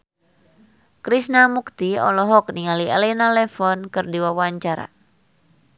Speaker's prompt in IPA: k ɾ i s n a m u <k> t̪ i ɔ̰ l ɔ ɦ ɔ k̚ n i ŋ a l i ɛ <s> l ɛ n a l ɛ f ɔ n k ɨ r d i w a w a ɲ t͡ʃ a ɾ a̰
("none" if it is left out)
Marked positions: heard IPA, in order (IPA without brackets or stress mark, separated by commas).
k, none